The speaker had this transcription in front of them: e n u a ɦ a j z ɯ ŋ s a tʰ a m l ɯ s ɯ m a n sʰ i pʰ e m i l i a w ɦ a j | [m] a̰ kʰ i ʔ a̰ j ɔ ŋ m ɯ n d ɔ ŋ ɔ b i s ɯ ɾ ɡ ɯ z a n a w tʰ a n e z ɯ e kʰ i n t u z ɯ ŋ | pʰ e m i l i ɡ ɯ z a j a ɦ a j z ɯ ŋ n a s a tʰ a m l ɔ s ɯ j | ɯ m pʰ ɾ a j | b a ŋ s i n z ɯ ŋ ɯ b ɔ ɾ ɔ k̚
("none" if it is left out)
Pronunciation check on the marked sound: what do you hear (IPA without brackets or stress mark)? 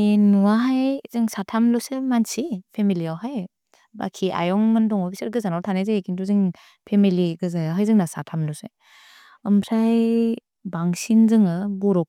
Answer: b